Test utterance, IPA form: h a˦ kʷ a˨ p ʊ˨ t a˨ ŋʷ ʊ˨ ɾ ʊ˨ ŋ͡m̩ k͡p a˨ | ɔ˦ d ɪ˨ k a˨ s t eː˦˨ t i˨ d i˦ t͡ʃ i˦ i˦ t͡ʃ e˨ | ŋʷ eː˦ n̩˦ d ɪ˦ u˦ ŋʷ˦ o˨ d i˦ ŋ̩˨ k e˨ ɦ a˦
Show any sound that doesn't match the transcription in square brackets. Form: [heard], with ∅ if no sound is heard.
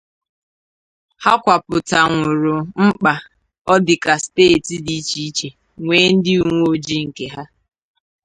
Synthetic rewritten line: h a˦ kʷ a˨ p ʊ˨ t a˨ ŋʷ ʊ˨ ɾ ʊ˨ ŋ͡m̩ k͡p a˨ | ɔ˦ d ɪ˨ k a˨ s t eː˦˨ t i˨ d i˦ t͡ʃ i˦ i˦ t͡ʃ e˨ | ŋʷ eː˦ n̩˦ d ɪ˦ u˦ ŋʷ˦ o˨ [d͡ʒ] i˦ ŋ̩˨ k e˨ ɦ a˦